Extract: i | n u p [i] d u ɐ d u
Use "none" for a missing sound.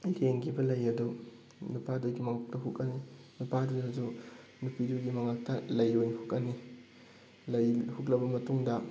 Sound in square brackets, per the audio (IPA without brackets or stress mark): a